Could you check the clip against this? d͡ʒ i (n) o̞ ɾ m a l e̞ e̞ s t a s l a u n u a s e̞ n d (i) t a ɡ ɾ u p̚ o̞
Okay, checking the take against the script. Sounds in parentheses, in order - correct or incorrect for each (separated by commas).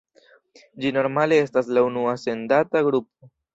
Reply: correct, incorrect